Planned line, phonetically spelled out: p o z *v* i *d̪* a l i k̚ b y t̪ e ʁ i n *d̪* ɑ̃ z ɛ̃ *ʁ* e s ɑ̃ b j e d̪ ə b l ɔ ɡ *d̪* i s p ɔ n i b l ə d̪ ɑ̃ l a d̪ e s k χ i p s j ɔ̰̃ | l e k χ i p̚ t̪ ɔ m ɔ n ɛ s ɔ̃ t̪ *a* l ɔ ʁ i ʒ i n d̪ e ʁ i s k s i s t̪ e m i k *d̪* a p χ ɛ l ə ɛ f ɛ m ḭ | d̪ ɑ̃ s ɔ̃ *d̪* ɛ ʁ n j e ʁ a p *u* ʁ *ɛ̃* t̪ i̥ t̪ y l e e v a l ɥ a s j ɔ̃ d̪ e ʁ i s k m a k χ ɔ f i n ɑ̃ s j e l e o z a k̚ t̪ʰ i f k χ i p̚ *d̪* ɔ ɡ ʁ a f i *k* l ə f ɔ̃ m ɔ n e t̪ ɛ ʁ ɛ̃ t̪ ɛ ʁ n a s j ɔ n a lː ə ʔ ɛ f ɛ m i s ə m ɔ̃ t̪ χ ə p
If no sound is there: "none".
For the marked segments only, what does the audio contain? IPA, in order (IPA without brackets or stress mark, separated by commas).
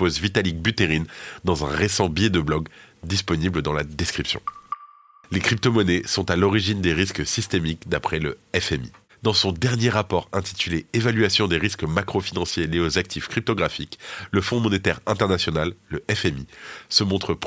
v, t̪, d̪, ʁ, d̪, a, d̪, d̪, ɔ, ɛ̃, t̪, k